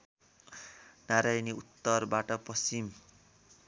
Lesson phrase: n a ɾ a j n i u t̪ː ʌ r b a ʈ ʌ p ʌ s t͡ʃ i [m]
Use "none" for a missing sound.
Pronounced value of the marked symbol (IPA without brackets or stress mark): m